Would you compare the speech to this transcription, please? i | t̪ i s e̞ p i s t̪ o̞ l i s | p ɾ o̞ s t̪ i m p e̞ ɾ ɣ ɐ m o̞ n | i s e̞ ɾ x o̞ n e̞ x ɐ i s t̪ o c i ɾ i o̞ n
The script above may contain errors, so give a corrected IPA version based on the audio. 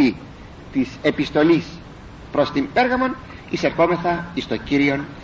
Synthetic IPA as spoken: i | t̪ i s e̞ p i s t̪ o̞ l i s | p ɾ o̞ s t̪ i m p e̞ ɾ ɣ ɐ m o̞ n | i s e̞ ɾ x o̞ m e̞ θ ɐ i s t̪ o c i ɾ i o̞ n